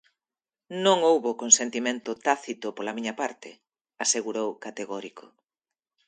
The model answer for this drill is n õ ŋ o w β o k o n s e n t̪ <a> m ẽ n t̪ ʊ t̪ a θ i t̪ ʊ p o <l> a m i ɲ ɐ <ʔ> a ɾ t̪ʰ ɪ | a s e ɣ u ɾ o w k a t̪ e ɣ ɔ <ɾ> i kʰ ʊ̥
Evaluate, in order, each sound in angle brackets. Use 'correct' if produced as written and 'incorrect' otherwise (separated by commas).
incorrect, correct, incorrect, correct